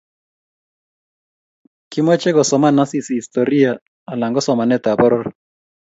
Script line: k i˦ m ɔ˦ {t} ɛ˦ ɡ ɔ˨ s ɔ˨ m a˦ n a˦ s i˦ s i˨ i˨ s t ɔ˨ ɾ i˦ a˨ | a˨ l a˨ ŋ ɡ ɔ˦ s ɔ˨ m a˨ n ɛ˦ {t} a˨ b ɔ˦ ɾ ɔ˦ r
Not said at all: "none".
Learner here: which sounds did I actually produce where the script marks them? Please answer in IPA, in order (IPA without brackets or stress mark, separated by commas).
t͡ʃ, t